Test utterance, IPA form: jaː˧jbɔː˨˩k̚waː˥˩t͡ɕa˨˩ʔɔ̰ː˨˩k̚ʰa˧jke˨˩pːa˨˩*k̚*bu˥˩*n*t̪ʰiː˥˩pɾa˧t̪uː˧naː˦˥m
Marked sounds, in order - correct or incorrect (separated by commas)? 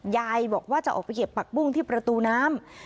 correct, incorrect